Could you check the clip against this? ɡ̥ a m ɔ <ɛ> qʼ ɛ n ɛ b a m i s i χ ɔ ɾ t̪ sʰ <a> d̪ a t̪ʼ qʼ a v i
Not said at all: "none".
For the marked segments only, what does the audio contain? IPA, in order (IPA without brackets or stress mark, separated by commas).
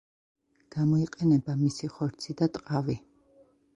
i, i